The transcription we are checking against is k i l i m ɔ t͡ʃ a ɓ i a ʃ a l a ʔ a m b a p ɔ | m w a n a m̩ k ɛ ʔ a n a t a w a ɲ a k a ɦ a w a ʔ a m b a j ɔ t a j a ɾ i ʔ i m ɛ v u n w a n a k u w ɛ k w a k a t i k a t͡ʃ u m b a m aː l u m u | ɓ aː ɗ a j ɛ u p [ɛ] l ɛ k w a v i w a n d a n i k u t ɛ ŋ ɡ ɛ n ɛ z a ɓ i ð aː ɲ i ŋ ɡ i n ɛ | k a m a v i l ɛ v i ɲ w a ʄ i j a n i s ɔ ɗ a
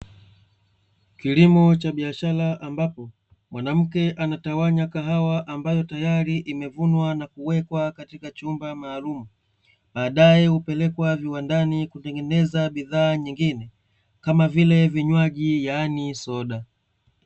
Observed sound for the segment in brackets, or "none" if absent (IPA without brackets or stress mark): ɛ